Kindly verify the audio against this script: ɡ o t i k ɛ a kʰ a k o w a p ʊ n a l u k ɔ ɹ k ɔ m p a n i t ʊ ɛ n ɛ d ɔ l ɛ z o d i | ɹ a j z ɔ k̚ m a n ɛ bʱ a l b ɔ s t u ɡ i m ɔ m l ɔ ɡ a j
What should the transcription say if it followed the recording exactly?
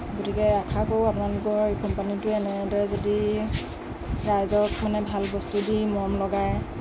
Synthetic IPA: ɡ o t i k ɛ a kʰ a k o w a p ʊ n a l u k ɔ ɹ k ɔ m p a n i t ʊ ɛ n ɛ d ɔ ɹ ɛ z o d i | ɹ a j z ɔ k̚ m a n ɛ bʱ a l b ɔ s t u d i m ɔ m l ɔ ɡ a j